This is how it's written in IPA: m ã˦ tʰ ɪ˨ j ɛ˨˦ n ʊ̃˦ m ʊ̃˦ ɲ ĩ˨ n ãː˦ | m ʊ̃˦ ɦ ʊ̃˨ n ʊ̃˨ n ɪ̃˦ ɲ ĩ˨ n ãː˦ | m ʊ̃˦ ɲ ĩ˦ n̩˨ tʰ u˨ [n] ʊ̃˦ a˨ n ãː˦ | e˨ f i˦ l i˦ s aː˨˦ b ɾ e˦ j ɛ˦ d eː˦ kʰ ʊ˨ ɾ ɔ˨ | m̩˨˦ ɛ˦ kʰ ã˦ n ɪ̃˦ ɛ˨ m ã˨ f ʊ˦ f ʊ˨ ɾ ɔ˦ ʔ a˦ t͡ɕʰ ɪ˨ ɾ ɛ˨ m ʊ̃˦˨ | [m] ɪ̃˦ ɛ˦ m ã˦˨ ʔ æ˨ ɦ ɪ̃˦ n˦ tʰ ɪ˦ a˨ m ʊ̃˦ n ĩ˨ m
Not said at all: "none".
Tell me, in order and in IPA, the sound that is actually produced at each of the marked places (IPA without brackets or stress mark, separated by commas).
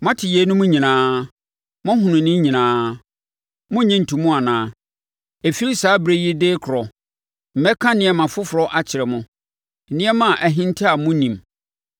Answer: m, n